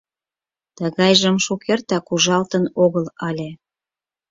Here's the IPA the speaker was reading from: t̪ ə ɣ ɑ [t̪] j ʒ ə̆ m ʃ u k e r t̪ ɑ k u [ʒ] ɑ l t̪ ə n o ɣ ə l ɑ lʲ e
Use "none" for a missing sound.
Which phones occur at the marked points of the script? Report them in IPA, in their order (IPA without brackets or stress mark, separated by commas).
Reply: none, ʒ